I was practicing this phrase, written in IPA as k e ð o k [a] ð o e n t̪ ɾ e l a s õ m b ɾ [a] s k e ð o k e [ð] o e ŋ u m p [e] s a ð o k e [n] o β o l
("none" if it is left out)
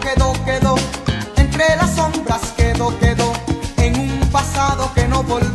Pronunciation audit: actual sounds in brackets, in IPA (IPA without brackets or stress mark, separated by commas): e, a, ð, a, n